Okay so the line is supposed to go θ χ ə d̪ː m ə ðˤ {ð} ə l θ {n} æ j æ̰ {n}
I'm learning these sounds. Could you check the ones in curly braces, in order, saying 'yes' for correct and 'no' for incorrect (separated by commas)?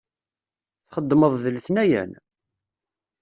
yes, yes, yes